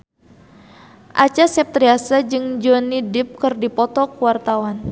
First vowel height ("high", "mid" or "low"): low